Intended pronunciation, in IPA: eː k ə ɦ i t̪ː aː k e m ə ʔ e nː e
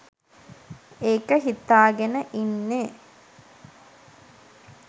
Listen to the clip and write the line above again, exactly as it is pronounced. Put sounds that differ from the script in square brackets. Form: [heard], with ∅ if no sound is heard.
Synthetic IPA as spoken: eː k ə ɦ i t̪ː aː [ɡ] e [n] ə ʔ [i] nː e